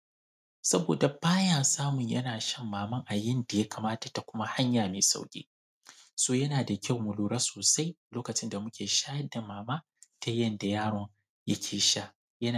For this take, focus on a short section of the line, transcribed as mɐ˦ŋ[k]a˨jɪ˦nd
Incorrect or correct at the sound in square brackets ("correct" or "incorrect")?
incorrect